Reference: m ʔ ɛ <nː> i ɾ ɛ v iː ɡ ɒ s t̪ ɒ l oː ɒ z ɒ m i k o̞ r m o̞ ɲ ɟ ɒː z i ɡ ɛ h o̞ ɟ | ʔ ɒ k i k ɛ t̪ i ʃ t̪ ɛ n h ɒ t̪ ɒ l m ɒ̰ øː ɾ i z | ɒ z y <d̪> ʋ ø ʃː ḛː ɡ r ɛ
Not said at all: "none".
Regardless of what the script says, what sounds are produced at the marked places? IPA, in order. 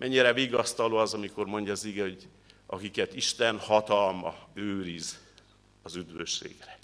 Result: ɲː, d̪

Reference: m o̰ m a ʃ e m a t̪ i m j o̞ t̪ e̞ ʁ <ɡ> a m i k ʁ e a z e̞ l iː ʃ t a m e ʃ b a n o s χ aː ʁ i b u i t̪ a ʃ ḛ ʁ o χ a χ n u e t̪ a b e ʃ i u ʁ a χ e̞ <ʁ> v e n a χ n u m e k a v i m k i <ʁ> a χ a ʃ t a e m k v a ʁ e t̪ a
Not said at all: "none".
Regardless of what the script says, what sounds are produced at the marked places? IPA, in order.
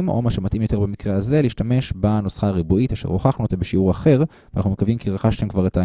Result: b, ʁ, ʁ

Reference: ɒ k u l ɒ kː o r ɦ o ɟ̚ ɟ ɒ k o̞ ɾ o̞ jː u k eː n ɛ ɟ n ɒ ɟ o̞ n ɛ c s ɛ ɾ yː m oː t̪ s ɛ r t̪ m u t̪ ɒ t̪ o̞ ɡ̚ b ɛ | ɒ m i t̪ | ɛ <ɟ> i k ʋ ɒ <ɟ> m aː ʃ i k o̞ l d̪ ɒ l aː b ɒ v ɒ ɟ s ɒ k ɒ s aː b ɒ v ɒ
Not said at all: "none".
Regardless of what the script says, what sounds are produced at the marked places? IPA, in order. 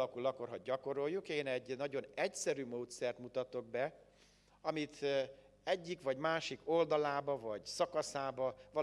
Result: ɟː, ɟ

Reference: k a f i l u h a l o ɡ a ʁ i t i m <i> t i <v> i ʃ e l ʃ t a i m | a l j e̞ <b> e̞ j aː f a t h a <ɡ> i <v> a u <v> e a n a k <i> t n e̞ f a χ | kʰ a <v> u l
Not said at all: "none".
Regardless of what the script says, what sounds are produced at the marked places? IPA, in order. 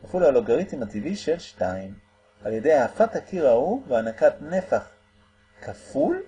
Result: a, v, d, k, ʁ, v, a, f

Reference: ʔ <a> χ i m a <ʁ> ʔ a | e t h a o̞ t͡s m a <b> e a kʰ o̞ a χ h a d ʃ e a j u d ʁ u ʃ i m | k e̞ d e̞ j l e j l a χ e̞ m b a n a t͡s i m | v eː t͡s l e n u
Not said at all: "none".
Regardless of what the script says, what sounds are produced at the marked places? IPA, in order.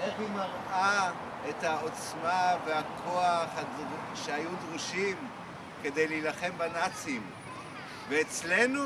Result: e, ʁ, v

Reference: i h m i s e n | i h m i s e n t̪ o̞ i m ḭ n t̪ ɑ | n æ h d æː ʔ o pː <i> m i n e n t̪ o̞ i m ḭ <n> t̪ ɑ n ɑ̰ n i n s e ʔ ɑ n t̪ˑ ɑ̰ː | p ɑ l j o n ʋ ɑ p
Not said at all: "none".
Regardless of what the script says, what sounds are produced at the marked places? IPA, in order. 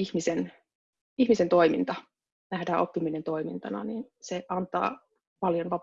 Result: i, n

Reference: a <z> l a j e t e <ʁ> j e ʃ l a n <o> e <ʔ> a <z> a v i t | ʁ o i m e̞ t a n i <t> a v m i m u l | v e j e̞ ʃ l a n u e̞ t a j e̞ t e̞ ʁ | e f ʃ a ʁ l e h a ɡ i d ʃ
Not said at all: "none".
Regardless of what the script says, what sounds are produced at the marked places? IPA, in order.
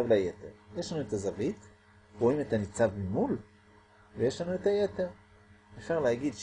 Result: v, ʁ, u, t, z, t͡s

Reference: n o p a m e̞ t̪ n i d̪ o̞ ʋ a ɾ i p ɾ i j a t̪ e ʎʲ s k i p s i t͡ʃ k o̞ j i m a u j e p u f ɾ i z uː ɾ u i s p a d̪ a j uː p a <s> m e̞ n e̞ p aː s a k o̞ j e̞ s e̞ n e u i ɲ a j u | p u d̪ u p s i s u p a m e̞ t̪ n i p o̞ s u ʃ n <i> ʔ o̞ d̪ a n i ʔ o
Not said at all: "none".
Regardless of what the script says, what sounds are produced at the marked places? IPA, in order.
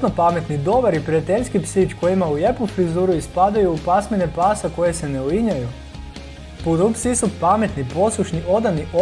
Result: s, i

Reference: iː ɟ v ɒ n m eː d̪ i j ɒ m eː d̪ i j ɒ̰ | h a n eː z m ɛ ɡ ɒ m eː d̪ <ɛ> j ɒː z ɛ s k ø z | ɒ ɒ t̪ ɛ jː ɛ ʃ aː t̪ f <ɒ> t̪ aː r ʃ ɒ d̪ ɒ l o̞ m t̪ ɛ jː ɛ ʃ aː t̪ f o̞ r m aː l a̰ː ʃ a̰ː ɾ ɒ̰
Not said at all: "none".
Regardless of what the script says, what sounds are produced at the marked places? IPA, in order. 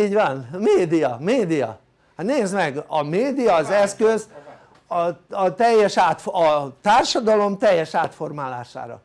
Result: i, ɒ

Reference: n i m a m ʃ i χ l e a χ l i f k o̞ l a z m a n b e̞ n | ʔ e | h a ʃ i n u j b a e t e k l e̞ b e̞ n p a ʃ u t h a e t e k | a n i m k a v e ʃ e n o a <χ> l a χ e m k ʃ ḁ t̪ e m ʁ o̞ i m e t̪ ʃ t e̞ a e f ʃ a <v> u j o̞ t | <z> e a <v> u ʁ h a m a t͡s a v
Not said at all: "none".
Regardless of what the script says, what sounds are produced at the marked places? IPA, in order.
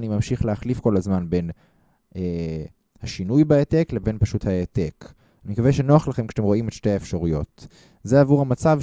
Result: χ, ʁ, z, v

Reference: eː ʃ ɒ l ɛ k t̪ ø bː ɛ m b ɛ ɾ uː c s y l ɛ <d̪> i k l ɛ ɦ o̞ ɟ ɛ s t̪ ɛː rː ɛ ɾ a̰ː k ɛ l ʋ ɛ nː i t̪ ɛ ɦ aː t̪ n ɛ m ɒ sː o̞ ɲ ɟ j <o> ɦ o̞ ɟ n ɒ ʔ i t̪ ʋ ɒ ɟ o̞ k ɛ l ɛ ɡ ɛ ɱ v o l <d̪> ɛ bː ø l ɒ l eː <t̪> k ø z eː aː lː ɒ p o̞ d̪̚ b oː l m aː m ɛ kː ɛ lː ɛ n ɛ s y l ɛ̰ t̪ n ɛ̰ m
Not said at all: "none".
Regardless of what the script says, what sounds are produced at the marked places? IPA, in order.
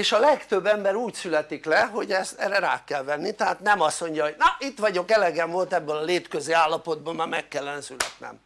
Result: t̪, ɒ, t̪, t̪

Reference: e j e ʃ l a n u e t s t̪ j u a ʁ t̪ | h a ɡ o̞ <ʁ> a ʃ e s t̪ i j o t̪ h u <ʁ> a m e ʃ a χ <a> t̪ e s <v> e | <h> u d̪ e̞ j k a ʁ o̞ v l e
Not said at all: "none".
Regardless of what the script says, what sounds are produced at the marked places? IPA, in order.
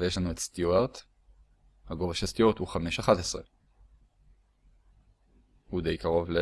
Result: v, χ, a, ʁ, h

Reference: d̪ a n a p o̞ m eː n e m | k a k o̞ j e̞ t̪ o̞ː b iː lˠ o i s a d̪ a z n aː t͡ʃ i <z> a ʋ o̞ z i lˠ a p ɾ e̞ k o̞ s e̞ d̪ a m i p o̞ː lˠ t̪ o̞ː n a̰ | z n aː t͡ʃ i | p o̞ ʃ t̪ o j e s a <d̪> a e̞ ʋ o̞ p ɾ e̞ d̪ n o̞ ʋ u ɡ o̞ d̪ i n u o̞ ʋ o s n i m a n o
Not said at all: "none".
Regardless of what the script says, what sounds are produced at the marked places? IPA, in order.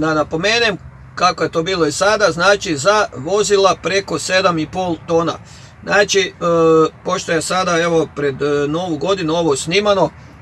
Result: z, d̪

